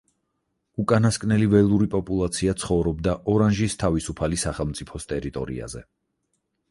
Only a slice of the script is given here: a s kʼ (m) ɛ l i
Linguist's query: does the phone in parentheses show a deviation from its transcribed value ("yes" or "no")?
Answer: yes